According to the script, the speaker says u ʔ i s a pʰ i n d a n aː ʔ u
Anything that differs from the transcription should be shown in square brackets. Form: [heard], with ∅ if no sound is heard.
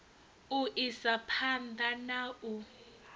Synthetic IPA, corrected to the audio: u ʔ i s a pʰ [a] n d a n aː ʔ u